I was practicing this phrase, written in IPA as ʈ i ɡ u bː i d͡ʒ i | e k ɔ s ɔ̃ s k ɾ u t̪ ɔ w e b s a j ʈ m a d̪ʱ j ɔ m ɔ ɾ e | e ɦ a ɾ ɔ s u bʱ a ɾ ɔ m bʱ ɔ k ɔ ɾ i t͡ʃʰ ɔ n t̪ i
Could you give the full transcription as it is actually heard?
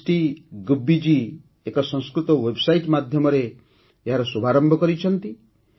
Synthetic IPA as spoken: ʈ i ɡ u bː i d͡ʒ i | e k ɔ s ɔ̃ s k ɾ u t̪ ɔ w e b s a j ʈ m a d̪ʱ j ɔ m ɔ ɾ e | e ɦ a ɾ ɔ s u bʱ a ɾ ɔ m bʱ ɔ k ɔ ɾ i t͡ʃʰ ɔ n t̪ i